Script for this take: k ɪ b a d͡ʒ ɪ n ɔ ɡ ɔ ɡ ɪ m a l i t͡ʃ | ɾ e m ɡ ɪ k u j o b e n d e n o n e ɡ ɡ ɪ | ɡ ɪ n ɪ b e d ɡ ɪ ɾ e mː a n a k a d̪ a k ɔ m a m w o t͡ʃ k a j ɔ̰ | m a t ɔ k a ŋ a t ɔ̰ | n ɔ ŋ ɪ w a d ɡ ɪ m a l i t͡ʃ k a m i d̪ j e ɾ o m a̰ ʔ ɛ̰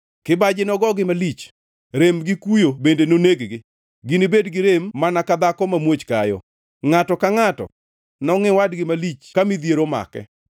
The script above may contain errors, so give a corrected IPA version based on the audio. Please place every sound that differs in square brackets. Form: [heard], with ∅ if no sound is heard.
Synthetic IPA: k ɪ b a d͡ʒ ɪ n ɔ ɡ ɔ ɡ ɪ m a l i t͡ʃ | ɾ e m ɡ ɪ k u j o b e n d e n o n e ɡ ɡ ɪ | ɡ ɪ n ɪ b e d ɡ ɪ ɾ e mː a n a k a d̪ a k ɔ m a m w o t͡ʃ k a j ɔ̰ | [ŋ] a t ɔ k a ŋ a t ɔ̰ | n ɔ ŋ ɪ w a d ɡ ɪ m a l i t͡ʃ k a m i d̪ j e ɾ o m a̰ [k] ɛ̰